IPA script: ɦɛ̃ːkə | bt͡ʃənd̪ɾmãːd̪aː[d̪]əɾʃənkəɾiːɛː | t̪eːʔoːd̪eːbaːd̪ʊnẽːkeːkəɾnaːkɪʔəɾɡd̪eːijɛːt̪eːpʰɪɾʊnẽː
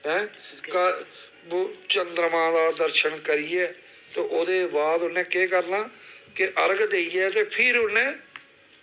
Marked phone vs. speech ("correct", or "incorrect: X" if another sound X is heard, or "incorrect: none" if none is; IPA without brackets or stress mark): correct